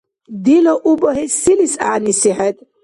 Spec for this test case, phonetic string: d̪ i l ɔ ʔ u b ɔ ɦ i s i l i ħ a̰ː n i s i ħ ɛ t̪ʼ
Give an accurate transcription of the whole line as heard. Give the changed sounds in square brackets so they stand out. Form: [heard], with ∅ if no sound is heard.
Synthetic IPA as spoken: d̪ i l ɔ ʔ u b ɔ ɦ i s i l i [s] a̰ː n i s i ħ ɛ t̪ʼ